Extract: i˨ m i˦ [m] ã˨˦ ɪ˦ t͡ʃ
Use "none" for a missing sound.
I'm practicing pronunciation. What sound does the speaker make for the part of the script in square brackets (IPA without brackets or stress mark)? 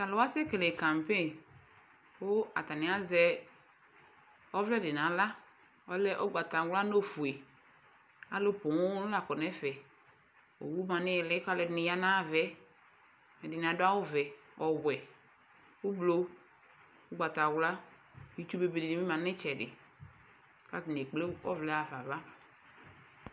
m